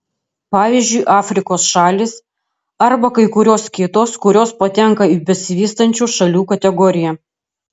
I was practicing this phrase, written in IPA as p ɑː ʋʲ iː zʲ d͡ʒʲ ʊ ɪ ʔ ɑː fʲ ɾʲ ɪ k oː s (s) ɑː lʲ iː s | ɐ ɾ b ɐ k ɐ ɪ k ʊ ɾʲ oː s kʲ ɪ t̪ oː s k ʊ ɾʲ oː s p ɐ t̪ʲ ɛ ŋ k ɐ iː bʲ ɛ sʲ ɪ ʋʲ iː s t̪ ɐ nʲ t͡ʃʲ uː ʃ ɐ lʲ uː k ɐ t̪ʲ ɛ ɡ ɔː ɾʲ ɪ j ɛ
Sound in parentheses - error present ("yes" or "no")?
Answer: yes